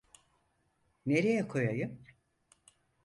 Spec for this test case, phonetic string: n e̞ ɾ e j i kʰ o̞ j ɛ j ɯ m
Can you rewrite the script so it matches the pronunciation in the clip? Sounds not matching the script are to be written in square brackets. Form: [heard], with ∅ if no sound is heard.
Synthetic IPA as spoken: n e̞ ɾ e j [ɛ] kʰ o̞ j [a] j ɯ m